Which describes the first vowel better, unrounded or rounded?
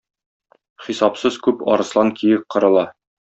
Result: unrounded